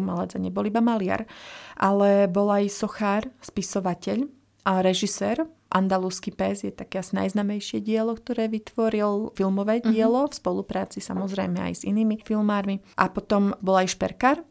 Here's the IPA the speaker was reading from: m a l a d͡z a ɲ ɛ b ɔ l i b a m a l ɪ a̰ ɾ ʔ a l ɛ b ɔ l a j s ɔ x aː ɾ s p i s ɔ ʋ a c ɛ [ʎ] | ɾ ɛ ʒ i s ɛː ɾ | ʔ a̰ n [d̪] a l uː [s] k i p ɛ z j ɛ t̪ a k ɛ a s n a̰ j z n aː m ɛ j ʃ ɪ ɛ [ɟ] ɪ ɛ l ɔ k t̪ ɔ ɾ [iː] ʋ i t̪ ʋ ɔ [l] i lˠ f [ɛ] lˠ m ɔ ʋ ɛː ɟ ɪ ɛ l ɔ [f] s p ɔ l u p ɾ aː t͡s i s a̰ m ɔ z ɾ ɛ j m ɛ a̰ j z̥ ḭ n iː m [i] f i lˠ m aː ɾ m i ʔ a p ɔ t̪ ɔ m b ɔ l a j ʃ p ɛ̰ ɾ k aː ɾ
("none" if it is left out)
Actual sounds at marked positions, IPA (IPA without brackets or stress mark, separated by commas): ʎ, d̪, s, ɟ, ɛː, ɾ, i, f, i